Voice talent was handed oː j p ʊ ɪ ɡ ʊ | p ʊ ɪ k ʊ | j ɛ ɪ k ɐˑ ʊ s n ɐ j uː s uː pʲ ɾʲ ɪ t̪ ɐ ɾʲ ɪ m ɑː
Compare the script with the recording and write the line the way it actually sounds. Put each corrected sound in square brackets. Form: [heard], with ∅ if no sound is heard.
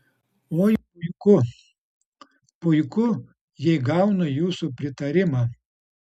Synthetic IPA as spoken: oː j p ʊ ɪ [k] ʊ | p ʊ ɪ k ʊ | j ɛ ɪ [ɡ] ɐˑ ʊ [∅] n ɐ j uː s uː pʲ ɾʲ ɪ t̪ ɐ ɾʲ ɪ m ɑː

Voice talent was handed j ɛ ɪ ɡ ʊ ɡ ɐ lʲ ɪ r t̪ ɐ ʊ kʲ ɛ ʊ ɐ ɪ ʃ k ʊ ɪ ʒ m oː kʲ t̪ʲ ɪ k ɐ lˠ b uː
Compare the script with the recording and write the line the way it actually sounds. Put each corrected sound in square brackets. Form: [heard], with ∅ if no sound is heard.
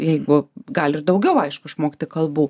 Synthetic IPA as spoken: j ɛ ɪ ɡ ʊ ɡ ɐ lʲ ɪ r [d̪] ɐ ʊ [ɡʲ] ɛ ʊ ɐ ɪ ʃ k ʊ ɪ [ʃ] m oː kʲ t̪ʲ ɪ k ɐ lˠ b uː

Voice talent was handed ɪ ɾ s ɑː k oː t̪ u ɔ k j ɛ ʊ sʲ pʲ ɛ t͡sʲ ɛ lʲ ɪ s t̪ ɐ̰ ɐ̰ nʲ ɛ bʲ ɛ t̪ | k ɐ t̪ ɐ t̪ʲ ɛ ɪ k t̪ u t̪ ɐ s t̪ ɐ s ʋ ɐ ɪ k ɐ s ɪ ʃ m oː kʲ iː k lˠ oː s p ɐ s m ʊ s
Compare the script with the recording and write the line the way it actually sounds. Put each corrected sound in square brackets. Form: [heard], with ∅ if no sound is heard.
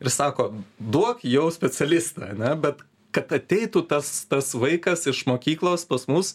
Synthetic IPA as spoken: ɪ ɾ s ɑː k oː [d̪] u ɔ k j ɛ ʊ sʲ pʲ ɛ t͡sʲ ɛ lʲ ɪ s t̪ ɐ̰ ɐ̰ nʲ ɛ bʲ ɛ t̪ | k ɐ t̪ ɐ t̪ʲ ɛ ɪ [∅] t̪ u t̪ ɐ s t̪ ɐ s ʋ ɐ ɪ k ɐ s ɪ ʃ m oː kʲ iː k lˠ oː s p ɐ s m ʊ s

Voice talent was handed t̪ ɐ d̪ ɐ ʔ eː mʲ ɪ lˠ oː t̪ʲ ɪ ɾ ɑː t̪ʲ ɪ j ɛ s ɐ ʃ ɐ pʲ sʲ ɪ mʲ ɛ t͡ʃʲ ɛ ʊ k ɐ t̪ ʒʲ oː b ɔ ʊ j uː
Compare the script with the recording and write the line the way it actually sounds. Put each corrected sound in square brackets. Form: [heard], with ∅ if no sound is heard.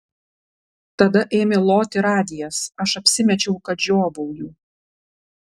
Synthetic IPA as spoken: t̪ ɐ d̪ ɐ ʔ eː mʲ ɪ lˠ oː t̪ʲ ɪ ɾ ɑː [d̪ʲ] ɪ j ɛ s ɐ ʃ ɐ pʲ sʲ ɪ mʲ ɛ t͡ʃʲ ɛ ʊ k ɐ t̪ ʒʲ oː b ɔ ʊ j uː

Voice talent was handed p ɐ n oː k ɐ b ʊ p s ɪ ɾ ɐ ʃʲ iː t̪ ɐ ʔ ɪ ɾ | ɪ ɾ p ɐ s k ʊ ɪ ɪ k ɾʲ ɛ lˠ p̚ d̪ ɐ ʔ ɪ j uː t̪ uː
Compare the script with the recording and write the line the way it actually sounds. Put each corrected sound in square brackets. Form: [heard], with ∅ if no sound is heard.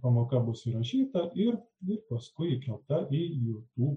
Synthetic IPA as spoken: p ɐ [m] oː k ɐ b ʊ [∅] s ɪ ɾ ɐ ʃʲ iː t̪ ɐ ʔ ɪ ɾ | ɪ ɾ p ɐ s k ʊ ɪ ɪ k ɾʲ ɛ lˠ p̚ [t̪] ɐ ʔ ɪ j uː t̪ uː

